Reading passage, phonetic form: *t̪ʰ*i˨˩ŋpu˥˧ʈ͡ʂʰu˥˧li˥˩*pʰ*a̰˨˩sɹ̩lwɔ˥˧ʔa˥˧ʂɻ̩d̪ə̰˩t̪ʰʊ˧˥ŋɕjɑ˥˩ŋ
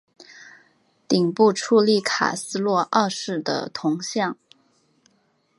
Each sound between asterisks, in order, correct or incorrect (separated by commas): incorrect, incorrect